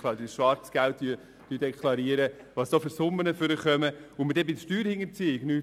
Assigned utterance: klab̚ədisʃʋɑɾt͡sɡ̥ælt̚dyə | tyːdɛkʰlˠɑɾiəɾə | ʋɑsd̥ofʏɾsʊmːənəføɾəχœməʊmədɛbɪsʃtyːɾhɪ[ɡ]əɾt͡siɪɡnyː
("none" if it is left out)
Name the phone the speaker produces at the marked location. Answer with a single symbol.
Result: ŋ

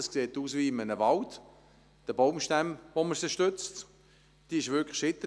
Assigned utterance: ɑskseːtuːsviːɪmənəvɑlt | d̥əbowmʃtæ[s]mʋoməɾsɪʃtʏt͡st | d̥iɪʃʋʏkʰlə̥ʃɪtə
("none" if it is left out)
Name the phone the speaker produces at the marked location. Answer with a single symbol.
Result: none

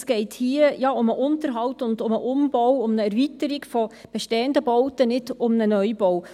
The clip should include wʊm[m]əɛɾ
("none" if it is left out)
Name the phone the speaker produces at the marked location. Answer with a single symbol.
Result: n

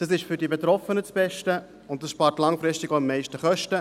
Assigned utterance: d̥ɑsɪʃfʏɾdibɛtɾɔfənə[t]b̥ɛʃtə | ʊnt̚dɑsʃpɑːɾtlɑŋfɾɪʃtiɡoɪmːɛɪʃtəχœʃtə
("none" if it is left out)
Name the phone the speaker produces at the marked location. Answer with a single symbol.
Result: t͡s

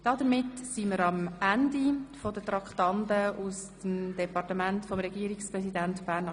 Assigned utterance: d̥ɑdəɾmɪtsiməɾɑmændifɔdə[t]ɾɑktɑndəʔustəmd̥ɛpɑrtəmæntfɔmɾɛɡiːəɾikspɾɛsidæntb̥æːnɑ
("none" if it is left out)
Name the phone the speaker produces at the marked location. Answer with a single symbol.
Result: t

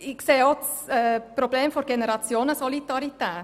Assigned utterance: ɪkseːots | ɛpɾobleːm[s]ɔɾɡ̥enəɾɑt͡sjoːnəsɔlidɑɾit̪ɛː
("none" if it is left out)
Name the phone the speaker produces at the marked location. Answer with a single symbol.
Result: f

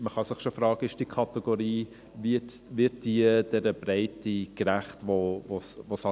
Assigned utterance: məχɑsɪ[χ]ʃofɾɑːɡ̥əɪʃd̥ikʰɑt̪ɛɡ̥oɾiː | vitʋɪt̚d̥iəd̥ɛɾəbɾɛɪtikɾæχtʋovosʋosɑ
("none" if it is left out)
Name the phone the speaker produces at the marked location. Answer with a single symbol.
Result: χ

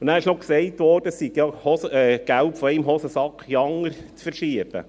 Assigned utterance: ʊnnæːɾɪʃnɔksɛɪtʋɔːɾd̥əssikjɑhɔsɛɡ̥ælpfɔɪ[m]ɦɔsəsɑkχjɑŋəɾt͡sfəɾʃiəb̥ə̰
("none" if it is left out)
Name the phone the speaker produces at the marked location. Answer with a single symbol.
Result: m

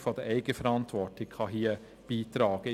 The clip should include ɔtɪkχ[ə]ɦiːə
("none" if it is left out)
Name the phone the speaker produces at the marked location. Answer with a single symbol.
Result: ɑ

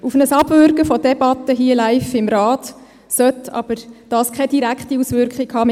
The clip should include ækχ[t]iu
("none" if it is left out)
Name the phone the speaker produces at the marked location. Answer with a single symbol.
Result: t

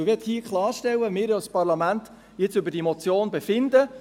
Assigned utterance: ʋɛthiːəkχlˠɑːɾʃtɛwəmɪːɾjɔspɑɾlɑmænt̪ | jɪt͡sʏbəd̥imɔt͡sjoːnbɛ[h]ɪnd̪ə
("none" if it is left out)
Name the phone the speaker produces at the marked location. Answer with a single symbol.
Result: f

